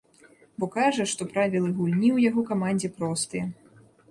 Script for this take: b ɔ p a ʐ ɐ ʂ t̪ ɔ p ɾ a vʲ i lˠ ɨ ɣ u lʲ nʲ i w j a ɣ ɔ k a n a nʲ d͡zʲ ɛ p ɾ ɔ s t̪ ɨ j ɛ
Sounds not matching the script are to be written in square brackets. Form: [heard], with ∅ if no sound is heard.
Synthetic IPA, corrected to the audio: b ɔ [k] a ʐ ɐ ʂ t̪ ɔ p ɾ a vʲ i lˠ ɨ ɣ u lʲ nʲ i w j a ɣ ɔ k a [m] a nʲ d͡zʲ ɛ p ɾ ɔ s t̪ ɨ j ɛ